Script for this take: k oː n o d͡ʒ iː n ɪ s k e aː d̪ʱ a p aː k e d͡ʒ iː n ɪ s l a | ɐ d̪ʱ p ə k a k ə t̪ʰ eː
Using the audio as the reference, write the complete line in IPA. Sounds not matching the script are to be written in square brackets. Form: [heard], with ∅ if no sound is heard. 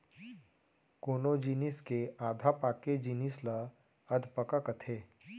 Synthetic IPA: k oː n o d͡ʒ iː n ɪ s k e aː d̪ʱ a p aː k e d͡ʒ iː n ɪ s l a | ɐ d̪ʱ p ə k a k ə t̪ʰ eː